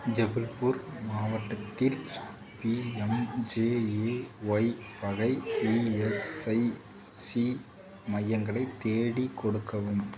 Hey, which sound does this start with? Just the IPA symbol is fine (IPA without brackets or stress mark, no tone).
d͡ʒ